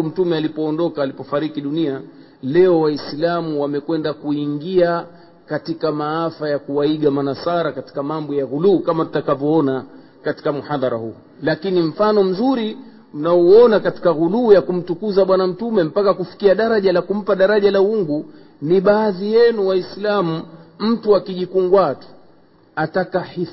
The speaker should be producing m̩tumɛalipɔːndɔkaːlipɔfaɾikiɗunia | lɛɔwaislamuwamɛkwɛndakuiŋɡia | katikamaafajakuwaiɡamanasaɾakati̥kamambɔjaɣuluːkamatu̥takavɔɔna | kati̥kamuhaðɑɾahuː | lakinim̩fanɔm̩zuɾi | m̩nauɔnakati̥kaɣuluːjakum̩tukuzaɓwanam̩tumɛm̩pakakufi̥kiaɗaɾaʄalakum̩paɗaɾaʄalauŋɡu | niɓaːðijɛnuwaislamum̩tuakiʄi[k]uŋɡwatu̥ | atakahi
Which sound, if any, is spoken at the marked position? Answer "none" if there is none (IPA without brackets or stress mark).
k